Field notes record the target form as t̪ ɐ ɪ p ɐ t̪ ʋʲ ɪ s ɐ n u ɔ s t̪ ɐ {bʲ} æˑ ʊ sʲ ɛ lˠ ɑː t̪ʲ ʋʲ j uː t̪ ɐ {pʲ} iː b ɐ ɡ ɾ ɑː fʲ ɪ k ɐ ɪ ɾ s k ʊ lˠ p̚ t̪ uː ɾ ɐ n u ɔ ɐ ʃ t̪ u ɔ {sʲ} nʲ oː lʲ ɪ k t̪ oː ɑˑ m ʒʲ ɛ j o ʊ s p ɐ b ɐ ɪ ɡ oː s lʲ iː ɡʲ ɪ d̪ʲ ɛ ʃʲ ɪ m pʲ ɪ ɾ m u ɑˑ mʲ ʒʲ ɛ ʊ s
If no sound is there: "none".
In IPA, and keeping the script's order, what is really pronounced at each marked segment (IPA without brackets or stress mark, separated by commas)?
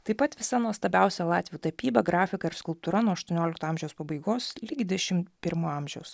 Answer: bʲ, pʲ, none